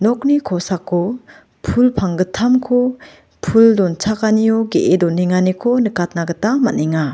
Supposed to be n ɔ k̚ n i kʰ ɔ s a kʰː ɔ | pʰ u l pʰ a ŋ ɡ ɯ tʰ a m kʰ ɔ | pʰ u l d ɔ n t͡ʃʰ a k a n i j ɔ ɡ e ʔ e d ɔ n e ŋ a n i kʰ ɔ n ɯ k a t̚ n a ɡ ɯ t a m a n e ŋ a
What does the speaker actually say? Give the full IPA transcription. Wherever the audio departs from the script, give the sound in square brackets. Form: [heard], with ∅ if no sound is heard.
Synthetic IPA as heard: n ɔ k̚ n i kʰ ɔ s a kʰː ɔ | pʰ u l pʰ a ŋ ɡ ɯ tʰ a m kʰ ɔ | pʰ u l d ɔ n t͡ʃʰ a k a n i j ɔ ɡ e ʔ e d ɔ n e ŋ a n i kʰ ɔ n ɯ k a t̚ n a ɡ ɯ t a m a n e ŋ a